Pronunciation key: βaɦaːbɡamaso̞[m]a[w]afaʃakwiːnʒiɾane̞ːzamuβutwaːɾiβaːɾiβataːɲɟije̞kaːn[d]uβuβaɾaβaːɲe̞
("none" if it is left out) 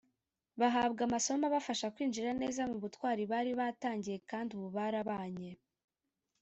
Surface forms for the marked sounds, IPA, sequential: m, β, d

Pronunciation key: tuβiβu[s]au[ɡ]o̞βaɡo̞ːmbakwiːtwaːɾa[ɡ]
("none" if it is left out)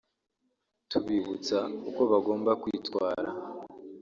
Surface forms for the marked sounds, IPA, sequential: t͡s, k, none

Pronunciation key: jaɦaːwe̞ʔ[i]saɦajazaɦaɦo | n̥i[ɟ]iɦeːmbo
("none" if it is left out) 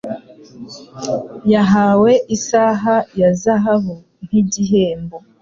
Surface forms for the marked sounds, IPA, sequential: i, ɟ

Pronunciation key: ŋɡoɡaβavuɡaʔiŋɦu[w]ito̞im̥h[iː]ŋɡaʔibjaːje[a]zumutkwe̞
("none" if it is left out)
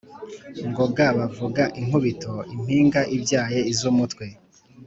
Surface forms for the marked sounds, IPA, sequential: β, iː, i

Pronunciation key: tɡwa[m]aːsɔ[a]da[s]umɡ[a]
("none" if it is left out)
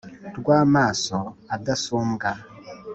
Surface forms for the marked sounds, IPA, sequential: m, a, s, a

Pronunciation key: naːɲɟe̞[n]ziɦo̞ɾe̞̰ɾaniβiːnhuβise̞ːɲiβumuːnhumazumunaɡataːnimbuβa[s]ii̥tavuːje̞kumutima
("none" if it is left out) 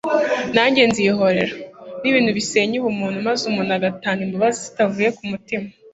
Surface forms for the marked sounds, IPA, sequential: n, z

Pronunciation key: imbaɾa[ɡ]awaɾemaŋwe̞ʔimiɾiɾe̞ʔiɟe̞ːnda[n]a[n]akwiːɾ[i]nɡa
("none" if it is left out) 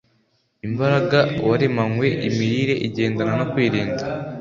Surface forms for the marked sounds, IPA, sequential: ɡ, n, n, iː

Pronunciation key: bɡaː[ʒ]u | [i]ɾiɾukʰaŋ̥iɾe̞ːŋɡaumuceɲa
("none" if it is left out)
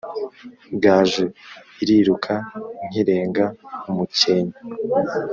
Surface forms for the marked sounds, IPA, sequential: ʒ, i

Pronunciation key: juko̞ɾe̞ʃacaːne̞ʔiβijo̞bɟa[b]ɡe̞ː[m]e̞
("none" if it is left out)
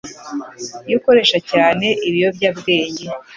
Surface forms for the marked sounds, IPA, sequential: b, ɲ

